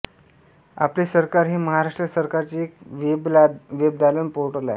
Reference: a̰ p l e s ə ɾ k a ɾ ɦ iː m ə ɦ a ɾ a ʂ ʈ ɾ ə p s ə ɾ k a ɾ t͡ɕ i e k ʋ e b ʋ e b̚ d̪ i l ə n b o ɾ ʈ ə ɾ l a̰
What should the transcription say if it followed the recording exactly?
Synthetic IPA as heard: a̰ p l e s ə ɾ k a ɾ ɦ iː m ə ɦ a ɾ a ʂ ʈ ɾ ə s ə ɾ k a ɾ t͡ɕ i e k ʋ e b ʋ e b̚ d̪ a l ə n p o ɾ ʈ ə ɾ l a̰

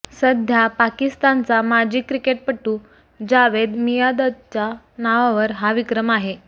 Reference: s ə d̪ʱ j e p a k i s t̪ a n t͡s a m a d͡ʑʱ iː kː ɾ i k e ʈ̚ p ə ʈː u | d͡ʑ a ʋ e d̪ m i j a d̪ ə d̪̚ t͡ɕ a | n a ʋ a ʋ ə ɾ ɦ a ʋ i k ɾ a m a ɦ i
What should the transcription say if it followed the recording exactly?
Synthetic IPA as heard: s ə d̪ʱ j a p a k i s t̪ a n t͡s a m a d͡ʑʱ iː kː ɾ i k e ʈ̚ p ə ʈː u | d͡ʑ a ʋ e d̪ m i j a d̪ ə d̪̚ t͡ɕ a | n a ʋ a ʋ ə ɾ ɦ a ʋ i k ɾ ə m a ɦ e

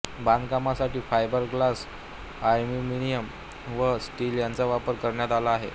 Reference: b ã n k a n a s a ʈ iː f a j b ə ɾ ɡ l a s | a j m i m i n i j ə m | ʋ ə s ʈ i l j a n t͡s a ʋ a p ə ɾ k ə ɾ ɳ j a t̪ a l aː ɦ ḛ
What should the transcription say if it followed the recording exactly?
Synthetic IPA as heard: b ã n k a m a s a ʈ iː f a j b ə ɾ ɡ l a s | a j m i m i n i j ə m | ʋ ə s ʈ i l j a n t͡s a ʋ a p ə ɾ k ə ɾ ɳ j a t̪ a l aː ɦ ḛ

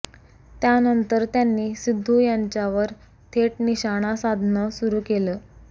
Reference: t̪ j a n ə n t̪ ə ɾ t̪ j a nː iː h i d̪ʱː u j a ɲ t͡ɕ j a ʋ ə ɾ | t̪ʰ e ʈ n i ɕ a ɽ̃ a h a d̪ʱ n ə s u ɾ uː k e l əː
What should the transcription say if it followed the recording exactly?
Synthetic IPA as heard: t̪ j a n ə n t̪ ə ɾ t̪ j a nː iː s i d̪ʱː u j a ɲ t͡ɕ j a ʋ ə ɾ | t̪ʰ e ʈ n i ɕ a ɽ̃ a s a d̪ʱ n ə s u ɾ uː k e l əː

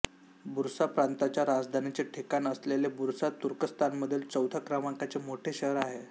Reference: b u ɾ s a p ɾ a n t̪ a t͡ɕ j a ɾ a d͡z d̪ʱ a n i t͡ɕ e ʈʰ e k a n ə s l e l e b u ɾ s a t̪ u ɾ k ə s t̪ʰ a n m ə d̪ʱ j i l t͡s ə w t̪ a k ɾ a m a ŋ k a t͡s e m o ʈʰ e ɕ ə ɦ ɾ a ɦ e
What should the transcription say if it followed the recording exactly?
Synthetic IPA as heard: b u ɾ s a p ɾ a n t̪ a t͡ɕ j a ɾ a d͡z d̪ʱ a n i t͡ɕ e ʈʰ e k a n ə s l e l e b u ɾ s a t̪ u ɾ k ə s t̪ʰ a n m ə d̪ʱ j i l t͡s ə w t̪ a k ɾ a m a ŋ k a t͡s e m o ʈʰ e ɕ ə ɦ ɾ a ɦ e

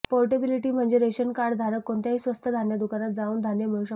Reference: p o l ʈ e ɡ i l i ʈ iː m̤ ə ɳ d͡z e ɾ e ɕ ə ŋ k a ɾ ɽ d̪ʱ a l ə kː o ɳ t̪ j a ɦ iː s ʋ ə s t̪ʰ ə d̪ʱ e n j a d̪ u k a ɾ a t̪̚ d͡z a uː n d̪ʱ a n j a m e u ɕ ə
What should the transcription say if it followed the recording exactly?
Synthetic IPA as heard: p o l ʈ e b i l i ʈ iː m̤ ə ɳ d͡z e ɾ e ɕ ə n k a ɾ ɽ d̪ʱ a ɾ ə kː o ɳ t̪ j a ɦ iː s ʋ ə s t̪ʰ ə d̪ʱ a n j a d̪ u k a ɾ a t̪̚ d͡z a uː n d̪ʱ a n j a m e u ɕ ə

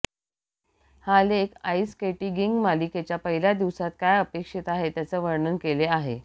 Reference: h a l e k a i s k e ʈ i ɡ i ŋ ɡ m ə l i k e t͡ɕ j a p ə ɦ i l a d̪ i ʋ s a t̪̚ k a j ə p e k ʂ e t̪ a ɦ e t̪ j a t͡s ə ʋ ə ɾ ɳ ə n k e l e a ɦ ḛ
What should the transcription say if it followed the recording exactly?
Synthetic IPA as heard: h a l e k a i s k e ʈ i ɡ i ŋ ɡ m a l i k e t͡ɕ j a p ə ɦ i l a d̪ i ʋ s a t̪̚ k a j ə p e k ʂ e t̪ a ɦ e t̪ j a t͡s ə ʋ ə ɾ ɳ ə n k e l e a ɦ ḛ

